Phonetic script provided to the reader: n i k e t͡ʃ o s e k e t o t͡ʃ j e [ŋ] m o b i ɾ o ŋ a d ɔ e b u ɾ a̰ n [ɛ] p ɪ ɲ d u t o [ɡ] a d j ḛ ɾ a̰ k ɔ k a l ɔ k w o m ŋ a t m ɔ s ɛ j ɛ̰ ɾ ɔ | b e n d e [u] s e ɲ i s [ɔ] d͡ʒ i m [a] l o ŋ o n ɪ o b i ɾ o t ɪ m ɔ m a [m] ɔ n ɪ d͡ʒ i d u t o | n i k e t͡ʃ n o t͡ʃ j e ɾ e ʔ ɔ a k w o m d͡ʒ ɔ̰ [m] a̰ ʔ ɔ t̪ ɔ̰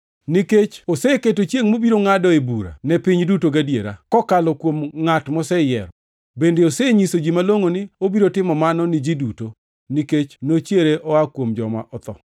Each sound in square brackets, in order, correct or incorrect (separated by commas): correct, correct, correct, incorrect, incorrect, correct, incorrect, correct